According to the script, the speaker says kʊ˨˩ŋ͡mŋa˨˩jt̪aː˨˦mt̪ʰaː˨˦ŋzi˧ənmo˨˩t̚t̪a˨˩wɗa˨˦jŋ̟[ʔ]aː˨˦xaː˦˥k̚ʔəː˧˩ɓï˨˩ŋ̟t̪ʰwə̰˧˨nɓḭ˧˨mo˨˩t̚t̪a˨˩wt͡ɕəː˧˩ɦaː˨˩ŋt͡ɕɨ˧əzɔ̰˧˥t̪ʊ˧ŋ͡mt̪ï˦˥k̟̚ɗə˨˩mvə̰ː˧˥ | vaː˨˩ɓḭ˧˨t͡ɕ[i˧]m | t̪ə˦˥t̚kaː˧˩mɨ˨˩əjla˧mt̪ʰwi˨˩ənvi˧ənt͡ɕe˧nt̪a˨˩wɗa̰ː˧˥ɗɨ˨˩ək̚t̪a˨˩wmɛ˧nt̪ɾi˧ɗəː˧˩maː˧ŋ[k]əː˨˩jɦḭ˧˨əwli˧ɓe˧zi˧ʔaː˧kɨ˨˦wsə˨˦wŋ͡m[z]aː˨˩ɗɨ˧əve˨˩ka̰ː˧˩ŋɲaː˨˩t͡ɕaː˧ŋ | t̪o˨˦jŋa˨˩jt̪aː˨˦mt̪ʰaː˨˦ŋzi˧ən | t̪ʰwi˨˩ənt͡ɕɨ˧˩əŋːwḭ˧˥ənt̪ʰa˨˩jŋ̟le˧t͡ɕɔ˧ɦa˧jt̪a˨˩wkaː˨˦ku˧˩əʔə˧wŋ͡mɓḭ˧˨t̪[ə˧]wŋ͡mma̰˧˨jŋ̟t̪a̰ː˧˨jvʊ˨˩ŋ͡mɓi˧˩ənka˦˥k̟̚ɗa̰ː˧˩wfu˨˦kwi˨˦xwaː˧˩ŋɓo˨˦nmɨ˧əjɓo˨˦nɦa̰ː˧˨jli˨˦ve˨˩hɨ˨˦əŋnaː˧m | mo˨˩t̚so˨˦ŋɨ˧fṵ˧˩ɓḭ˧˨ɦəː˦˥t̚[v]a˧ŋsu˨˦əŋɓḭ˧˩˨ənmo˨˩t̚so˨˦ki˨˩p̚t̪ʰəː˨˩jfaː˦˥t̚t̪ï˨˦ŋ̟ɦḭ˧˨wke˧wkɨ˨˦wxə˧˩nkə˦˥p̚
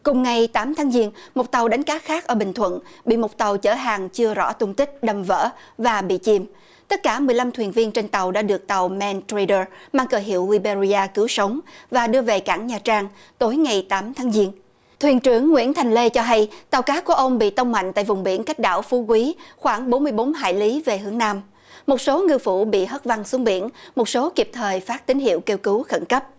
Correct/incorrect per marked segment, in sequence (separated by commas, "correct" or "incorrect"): incorrect, correct, correct, incorrect, correct, correct